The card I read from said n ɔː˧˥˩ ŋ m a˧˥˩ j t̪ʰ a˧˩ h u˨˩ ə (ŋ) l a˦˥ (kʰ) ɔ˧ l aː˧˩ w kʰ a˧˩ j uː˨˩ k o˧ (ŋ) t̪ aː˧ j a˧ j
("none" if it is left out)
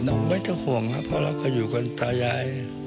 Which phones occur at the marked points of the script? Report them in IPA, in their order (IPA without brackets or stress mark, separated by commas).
ŋ, pʰ, n